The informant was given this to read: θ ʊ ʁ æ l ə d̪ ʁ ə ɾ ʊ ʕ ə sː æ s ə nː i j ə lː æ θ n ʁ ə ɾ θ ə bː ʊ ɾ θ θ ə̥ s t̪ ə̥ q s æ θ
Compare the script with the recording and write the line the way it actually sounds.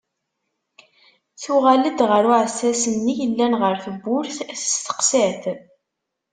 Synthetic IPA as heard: θ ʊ ʁ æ l ə d̪ ʁ ə ɾ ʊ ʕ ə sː æ s ə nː i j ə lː æ n ʁ ə ɾ θ ə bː ʊ ɾ θ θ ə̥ s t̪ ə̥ q s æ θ

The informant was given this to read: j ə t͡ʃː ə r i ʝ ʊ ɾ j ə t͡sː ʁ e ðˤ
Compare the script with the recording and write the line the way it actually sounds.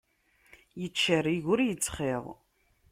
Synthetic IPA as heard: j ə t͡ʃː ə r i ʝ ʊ ɾ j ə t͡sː χ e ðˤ

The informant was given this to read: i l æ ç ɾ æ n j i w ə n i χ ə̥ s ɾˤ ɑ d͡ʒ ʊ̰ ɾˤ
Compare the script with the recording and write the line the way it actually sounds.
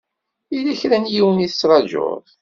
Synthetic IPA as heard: i l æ ç ɾ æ n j i w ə n i θ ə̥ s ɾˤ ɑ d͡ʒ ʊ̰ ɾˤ

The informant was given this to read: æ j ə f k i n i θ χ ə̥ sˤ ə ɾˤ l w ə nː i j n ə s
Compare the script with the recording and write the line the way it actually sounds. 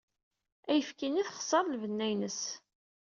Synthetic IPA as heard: æ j ə f k i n i θ χ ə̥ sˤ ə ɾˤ l v ə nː æ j n ə s

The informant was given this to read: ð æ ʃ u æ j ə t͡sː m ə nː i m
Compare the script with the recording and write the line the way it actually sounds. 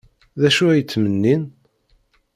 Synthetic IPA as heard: ð æ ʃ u æ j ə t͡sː m ə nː i n

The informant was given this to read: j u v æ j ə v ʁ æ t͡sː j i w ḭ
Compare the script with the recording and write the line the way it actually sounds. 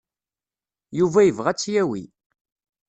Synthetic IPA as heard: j u v æ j ə v ʁ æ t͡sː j æ w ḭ

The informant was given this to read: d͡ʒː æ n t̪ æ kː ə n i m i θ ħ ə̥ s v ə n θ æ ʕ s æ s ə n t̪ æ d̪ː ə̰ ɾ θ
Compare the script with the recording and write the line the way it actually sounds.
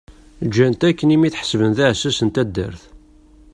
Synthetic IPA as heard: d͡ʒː æ n t̪ æ kː ə n i m i θ ħ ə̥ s v ə n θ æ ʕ s æ s ə n t̪ æ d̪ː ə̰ ɾ θ

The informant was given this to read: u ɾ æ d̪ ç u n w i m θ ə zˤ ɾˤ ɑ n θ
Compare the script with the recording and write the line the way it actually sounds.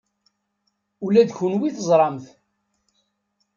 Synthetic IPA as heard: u l æ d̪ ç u n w i θ ə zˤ ɾˤ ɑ m θ

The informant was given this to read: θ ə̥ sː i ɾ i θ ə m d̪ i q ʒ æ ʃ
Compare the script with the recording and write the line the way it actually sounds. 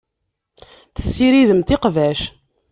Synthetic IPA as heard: θ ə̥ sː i ɾ i ð ə m t̪ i q v æ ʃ

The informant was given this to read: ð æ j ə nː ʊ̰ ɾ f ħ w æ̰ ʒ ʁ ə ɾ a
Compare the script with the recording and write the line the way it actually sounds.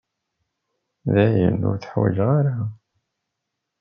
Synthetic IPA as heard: ð æ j ə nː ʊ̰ ɾ θ ħ w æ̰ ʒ ʁ a ɾ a

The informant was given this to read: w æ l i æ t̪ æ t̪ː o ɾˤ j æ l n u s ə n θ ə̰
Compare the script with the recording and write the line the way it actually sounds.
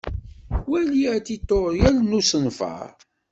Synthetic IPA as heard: w æ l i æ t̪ i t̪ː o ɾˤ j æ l n u s ə n f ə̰

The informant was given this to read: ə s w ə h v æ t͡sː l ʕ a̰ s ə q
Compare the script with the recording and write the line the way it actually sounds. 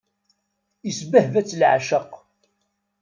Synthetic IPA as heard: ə s b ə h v æ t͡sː l ʕ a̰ ʃ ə q

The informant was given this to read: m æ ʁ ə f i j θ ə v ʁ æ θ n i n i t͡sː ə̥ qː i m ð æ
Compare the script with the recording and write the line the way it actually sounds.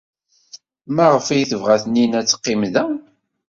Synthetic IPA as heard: m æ ʁ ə f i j θ ə v ʁ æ θ n i n æ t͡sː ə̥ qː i m ð æ

